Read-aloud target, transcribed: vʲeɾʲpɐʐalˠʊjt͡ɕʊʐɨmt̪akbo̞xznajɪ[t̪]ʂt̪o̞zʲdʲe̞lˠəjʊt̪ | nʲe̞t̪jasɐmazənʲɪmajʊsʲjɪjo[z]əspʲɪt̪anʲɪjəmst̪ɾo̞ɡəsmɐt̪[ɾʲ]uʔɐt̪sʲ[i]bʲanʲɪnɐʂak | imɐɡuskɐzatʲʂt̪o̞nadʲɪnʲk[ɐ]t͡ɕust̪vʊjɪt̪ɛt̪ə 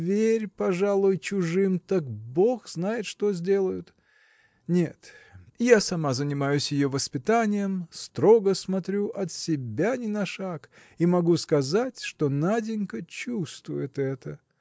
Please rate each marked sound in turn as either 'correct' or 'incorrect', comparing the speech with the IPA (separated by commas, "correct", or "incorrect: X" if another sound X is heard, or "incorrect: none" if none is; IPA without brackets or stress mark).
correct, incorrect: v, correct, incorrect: ɪ, incorrect: ə